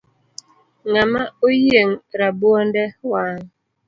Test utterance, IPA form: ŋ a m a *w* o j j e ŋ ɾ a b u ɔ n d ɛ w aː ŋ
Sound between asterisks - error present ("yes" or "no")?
yes